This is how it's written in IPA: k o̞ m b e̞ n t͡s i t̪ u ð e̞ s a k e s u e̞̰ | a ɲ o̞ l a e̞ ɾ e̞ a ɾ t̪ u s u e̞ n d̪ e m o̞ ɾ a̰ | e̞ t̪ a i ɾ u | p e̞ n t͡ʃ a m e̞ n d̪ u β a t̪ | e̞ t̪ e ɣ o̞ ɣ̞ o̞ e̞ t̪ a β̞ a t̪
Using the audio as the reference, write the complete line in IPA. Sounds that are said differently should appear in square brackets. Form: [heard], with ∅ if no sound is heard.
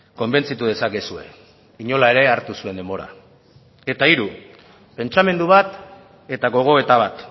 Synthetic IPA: k o̞ m b e̞ n t͡s i t̪ u ð e̞ s a k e s u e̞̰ | [i] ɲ o̞ l a e̞ ɾ e̞ a ɾ t̪ u s u e̞ n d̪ e m o̞ ɾ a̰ | e̞ t̪ a i ɾ u | p e̞ n t͡ʃ a m e̞ n d̪ u β a t̪ | e̞ t̪ [a] ɣ o̞ ɣ̞ o̞ e̞ t̪ a β̞ a t̪

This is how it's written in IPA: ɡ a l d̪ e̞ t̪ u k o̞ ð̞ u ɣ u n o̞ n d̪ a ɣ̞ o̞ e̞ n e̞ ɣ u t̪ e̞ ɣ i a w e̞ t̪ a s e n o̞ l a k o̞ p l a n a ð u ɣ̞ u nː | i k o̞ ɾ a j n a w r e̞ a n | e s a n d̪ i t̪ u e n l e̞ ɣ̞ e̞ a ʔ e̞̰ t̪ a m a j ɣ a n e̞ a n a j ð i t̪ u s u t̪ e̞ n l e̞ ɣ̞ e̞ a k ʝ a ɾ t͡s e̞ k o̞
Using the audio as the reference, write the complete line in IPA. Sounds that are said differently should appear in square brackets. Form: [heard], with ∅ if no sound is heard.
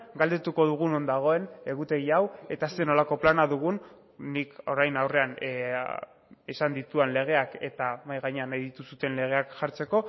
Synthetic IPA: ɡ a l d̪ e̞ t̪ u k o̞ ð̞ u ɣ u n o̞ n d̪ a ɣ̞ o̞ e̞ n e̞ ɣ u t̪ e̞ ɣ i a w e̞ t̪ a s e n o̞ l a k o̞ p l a n a ð u ɣ̞ u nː | i k o̞ ɾ a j n a w r e̞ a n | e s a n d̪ i t̪ u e n l e̞ ɣ̞ e̞ a [k] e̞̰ t̪ a m a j ɣ a [ɲ] e̞ a n a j ð i t̪ u s u t̪ e̞ n l e̞ ɣ̞ e̞ a k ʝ a ɾ t͡s e̞ k o̞

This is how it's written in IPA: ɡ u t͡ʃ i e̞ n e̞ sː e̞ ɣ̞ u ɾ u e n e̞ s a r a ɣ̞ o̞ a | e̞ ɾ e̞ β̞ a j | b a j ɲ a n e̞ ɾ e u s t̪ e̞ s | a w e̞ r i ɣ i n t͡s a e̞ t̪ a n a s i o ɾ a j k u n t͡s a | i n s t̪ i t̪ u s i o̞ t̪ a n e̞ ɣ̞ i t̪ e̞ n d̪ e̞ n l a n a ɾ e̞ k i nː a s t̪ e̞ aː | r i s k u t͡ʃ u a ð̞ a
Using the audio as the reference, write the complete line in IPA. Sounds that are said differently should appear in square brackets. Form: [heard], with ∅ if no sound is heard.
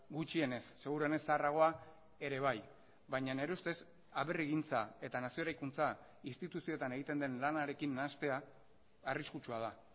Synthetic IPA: ɡ u t͡ʃ i e̞ n e̞ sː e̞ ɣ̞ u ɾ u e n e̞ s a r a ɣ̞ o̞ a | e̞ ɾ e̞ β̞ a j | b a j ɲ a n e̞ ɾ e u s t̪ e̞ s | a [β] e̞ r i ɣ i n t͡s a e̞ t̪ a n a s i o ɾ a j k u n t͡s a | i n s t̪ i t̪ u s i o̞ t̪ a n e̞ ɣ̞ i t̪ e̞ n d̪ e̞ n l a n a ɾ e̞ k i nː a s t̪ e̞ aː | r i s k u t͡ʃ u a ð̞ a

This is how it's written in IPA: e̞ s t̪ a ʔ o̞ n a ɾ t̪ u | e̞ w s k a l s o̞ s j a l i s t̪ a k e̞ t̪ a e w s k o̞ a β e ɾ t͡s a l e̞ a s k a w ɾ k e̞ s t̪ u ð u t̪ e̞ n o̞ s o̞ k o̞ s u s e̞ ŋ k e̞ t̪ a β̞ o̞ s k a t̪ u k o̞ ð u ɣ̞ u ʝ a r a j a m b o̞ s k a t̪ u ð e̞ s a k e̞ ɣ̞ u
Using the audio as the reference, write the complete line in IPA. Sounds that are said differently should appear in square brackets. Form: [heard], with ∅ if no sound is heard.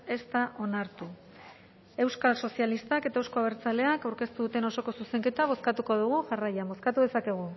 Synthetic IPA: e̞ s t̪ a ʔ o̞ n a ɾ t̪ u | e̞ w s k a l s o̞ s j a l i s t̪ a k e̞ t̪ a e w s k o̞ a β e ɾ t͡s a l e̞ a [∅] k a w ɾ k e̞ s t̪ u ð u t̪ e̞ n o̞ s o̞ k o̞ s u s e̞ ŋ k e̞ t̪ a β̞ o̞ s k a t̪ u k o̞ ð u ɣ̞ u ʝ a r a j a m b o̞ s k a t̪ u ð e̞ s a k e̞ ɣ̞ u

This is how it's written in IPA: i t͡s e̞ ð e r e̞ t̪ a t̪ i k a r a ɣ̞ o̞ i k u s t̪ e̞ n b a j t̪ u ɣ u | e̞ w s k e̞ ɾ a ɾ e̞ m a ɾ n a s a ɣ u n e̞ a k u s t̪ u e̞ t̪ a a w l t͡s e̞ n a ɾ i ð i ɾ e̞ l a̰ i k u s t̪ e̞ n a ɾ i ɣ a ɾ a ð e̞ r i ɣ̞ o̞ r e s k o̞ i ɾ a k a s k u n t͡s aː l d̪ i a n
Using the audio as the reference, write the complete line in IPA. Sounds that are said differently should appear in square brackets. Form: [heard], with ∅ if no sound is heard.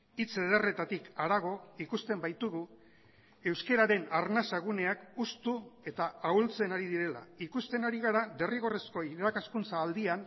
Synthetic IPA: i t͡s e̞ ð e r e̞ t̪ a t̪ i k a [ɾ] a ɣ̞ o̞ i k u s t̪ e̞ [m] b a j t̪ u ɣ u | e̞ w s k e̞ ɾ a ɾ e̞ [n] a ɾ n a s a ɣ u n e̞ a k u s t̪ u e̞ t̪ a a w l t͡s e̞ n a ɾ i ð i ɾ e̞ l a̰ i k u s t̪ e̞ n a ɾ i ɣ a ɾ a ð e̞ r i ɣ̞ o̞ r e s k o̞ i ɾ a k a s k u n t͡s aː l d̪ i a n

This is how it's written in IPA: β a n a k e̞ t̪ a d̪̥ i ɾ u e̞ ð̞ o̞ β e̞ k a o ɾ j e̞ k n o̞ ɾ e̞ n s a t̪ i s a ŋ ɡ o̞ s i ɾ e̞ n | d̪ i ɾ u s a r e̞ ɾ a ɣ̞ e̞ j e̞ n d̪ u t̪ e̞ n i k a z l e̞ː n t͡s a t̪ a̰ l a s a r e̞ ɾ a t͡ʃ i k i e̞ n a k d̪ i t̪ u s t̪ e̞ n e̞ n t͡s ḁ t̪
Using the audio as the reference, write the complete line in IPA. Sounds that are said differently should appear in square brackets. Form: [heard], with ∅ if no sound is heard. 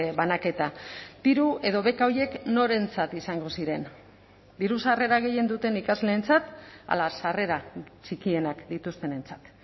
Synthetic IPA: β a n a k e̞ t̪ a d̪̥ i ɾ u e̞ ð̞ o̞ β e̞ k a o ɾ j e̞ k n o̞ ɾ e̞ n [t͡s] a t̪ i s a ŋ ɡ o̞ s i ɾ e̞ n | d̪ i ɾ u s a r e̞ ɾ a ɣ̞ e̞ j e̞ n d̪ u t̪ e̞ n i k a z l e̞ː n t͡s a t̪ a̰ l a s a r e̞ ɾ a t͡ʃ i k i e̞ n a k d̪ i t̪ u s t̪ e̞ n e̞ n t͡s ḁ t̪

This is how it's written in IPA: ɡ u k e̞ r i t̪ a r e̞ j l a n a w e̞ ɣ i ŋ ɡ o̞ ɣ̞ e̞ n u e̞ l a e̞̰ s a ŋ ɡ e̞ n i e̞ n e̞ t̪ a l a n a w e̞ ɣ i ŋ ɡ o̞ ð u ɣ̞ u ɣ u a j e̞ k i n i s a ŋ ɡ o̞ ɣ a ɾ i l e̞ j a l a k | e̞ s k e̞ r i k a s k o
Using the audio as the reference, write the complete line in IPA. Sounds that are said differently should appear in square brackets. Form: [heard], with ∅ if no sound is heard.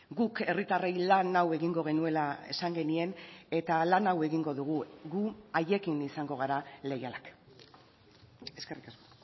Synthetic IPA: ɡ u k e̞ r i t̪ a r e̞ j l a n a w e̞ ɣ i ŋ ɡ o̞ ɣ̞ e̞ n u e̞ l a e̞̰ s a ŋ ɡ e̞ n i e̞ n e̞ t̪ a l a n a w e̞ ɣ i ŋ ɡ o̞ ð u ɣ̞ u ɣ u a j e̞ k i n i s a ŋ ɡ o̞ ɣ a ɾ [a] l e̞ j a l a k | e̞ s k e̞ r i k a s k o

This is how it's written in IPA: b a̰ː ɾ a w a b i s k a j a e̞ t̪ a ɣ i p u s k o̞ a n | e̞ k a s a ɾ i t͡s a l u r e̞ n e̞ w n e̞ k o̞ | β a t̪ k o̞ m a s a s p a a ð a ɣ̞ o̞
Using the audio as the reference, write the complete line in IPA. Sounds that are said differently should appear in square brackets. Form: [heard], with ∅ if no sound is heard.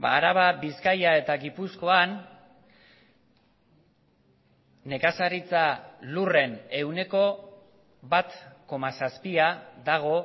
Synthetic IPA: b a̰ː ɾ a [β] a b i s k a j a e̞ t̪ a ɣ i p u s k o̞ a n | e̞ k a s a ɾ i t͡s a l u r e̞ n e̞ w n e̞ k o̞ | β a t̪ k o̞ m a s a s p [i] a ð a ɣ̞ o̞

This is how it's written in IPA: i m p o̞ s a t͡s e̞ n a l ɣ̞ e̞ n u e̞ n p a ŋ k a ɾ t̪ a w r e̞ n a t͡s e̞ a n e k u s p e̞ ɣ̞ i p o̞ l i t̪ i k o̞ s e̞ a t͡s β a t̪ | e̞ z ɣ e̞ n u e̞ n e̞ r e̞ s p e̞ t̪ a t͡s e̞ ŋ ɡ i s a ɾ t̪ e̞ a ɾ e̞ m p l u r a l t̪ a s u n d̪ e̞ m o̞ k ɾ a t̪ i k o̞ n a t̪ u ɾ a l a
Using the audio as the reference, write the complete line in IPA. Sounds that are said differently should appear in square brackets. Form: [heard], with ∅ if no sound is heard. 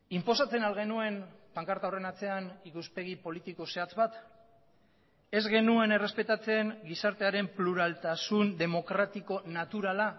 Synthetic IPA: i m p o̞ s a t͡s e̞ n a l ɣ̞ e̞ n u e̞ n p a ŋ k a ɾ t̪ a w r e̞ n a t͡s e̞ a n [i] k u s p e̞ ɣ̞ i p o̞ l i t̪ i k o̞ s e̞ a t͡s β a t̪ | e̞ z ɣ e̞ n u e̞ n e̞ r e̞ s p e̞ t̪ a t͡s e̞ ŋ ɡ i s a ɾ t̪ e̞ a ɾ e̞ m p l u [ɾ] a l t̪ a s u n d̪ e̞ m o̞ k ɾ a t̪ i k o̞ n a t̪ u ɾ a l a

